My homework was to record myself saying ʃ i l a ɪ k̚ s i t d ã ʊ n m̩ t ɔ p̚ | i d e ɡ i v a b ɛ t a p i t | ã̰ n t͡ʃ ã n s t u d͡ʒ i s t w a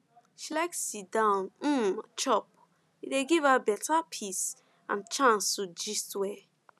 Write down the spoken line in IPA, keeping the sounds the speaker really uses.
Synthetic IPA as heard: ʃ i l a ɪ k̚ s i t d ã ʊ n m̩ t͡ʃ ɔ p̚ | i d e ɡ i v a b ɛ t a pʰ i s | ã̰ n t͡ʃ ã n s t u d͡ʒ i s t w ɛ